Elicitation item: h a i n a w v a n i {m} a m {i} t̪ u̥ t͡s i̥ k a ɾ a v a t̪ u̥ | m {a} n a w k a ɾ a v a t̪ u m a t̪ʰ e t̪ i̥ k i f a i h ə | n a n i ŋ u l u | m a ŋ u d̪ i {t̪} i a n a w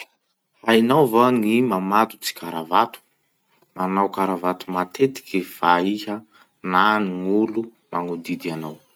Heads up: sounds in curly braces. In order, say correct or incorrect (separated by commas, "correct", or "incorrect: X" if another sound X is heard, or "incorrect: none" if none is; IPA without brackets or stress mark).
correct, incorrect: a, correct, incorrect: d̪